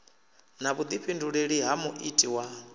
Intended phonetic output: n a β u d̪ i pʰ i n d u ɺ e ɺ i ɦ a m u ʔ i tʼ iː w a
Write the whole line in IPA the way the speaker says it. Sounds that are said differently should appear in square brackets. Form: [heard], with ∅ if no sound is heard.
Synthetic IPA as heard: n a β u d̪ i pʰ i n d u ɺ e ɺ i ɦ a m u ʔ i tʼ [i] w a

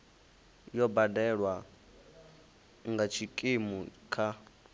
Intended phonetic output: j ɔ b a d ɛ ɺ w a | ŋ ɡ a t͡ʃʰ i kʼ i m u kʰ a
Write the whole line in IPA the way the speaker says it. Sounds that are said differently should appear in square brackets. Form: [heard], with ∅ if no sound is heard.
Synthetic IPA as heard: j ɔ b a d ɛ ɺ w a | ŋ ɡ a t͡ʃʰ i kʼ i m u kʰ a

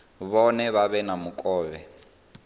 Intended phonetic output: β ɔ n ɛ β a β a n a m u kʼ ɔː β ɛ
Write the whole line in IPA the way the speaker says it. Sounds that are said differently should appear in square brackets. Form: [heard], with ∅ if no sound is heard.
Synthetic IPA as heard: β ɔ n ɛ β a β [ɛ] n a m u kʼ ɔː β ɛ

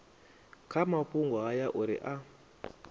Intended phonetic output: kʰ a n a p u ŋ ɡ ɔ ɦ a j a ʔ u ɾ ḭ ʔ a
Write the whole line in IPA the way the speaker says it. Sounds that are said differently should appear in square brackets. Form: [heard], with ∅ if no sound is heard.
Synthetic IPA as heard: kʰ a [m] a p u ŋ ɡ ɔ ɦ a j a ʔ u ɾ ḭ ʔ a

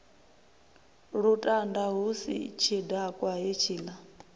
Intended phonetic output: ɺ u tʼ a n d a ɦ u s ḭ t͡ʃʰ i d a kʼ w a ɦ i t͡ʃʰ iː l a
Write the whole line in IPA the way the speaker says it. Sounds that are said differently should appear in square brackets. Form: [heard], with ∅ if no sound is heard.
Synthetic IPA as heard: ɺ u tʼ a n d a ɦ u s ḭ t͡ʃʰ i d a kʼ w a ɦ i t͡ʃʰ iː l a

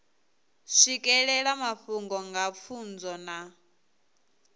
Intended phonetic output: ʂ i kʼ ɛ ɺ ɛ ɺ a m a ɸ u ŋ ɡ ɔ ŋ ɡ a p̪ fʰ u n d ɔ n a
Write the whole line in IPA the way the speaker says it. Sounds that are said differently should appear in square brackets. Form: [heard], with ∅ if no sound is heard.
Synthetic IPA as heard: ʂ i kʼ ɛ ɺ ɛ ɺ a m a ɸ u ŋ ɡ ɔ ŋ ɡ a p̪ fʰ u n [d͡z] ɔ n a

